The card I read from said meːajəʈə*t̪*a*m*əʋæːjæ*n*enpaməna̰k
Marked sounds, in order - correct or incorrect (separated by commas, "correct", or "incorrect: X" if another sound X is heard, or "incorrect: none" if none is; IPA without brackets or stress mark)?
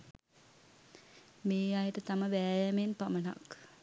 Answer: correct, correct, incorrect: m